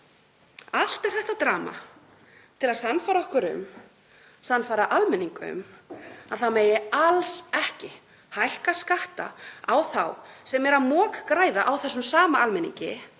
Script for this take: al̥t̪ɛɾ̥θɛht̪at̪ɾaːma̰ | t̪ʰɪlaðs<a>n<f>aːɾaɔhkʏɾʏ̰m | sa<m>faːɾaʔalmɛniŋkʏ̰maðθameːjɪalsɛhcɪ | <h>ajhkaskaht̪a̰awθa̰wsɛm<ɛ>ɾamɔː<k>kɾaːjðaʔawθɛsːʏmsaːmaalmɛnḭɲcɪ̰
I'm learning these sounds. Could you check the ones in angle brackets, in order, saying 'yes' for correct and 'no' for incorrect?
yes, yes, no, yes, yes, yes

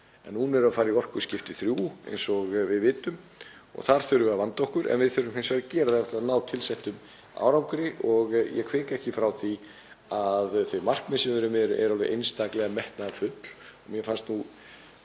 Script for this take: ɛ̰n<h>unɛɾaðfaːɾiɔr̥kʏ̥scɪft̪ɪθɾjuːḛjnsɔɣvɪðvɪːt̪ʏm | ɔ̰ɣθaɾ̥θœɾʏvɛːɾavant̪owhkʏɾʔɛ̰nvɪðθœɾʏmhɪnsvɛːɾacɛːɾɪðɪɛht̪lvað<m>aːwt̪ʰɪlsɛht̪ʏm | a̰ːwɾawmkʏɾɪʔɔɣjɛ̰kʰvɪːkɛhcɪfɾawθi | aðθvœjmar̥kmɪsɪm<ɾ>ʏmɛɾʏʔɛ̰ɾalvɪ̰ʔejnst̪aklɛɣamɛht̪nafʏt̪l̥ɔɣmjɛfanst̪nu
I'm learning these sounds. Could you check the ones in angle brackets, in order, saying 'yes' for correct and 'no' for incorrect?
yes, no, yes

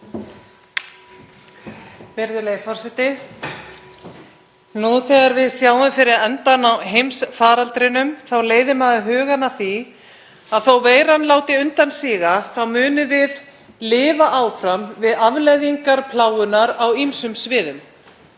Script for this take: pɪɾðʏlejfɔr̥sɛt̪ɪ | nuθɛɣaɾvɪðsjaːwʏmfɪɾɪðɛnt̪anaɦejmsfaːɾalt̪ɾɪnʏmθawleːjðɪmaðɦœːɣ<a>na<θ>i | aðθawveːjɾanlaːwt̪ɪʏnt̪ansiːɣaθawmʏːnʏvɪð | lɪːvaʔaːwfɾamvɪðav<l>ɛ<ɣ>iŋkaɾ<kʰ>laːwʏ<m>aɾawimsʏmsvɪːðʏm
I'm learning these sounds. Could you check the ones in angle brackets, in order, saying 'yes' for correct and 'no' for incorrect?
yes, yes, yes, no, no, no

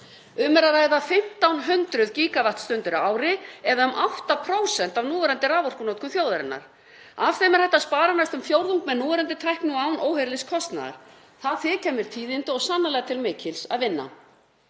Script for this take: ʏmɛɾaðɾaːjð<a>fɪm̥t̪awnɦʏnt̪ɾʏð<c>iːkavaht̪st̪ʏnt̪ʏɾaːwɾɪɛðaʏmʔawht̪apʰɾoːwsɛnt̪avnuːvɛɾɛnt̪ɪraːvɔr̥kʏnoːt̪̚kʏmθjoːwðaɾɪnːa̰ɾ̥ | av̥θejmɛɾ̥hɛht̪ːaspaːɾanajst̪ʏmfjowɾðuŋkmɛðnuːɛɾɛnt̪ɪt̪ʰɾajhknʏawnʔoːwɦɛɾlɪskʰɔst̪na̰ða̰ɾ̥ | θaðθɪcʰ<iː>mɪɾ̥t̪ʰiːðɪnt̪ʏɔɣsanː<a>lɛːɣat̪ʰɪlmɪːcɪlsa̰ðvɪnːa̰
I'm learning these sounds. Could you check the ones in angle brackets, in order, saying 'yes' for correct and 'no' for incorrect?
yes, yes, no, yes

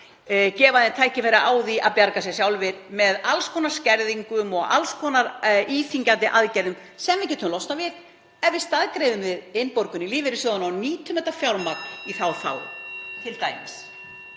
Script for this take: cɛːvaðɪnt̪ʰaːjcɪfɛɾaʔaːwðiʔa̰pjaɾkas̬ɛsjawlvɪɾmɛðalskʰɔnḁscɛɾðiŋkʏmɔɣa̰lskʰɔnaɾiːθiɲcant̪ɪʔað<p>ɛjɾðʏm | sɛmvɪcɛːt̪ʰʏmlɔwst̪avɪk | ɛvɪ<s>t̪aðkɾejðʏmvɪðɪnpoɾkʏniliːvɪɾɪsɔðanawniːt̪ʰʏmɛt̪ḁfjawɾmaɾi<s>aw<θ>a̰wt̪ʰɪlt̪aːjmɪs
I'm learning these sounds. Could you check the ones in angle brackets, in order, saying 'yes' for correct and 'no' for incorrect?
no, yes, no, yes

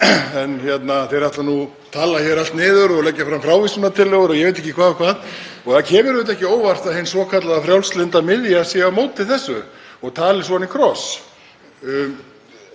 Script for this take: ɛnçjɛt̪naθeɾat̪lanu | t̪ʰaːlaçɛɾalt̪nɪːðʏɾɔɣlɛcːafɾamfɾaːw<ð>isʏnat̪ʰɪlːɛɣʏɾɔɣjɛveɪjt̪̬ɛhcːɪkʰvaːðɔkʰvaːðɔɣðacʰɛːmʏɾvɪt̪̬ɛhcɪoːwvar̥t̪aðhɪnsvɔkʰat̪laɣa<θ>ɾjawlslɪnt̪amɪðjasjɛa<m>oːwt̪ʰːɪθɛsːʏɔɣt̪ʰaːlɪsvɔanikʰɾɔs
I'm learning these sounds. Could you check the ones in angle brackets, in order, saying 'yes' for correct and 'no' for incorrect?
no, no, yes

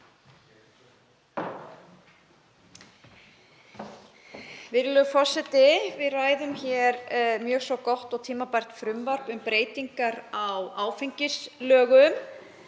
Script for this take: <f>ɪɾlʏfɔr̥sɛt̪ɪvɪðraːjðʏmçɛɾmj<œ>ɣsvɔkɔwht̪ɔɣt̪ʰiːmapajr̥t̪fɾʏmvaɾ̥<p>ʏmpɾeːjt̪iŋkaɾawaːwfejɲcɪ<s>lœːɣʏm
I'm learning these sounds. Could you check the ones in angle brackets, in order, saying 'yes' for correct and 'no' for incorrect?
no, no, yes, yes

